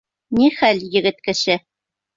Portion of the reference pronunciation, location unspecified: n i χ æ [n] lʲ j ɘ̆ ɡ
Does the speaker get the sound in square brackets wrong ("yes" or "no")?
yes